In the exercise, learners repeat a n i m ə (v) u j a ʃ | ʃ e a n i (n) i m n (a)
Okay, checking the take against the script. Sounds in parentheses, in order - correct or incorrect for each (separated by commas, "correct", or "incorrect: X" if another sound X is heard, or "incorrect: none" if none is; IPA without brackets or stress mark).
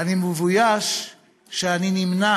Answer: correct, correct, correct